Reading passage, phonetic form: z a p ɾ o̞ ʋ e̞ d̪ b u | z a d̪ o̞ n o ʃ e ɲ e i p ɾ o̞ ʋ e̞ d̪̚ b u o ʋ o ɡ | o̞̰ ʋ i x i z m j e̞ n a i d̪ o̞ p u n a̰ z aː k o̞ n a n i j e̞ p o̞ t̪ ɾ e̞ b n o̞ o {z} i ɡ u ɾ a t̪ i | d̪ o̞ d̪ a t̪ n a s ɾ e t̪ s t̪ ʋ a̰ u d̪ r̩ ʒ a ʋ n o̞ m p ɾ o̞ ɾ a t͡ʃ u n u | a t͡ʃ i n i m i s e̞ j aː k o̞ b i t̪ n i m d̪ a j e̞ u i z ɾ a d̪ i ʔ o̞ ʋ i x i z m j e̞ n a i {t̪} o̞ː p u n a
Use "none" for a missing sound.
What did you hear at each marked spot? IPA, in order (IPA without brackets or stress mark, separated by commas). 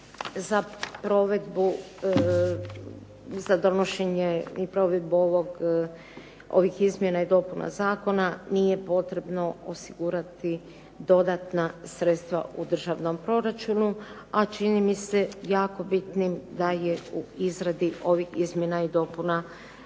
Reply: s, d̪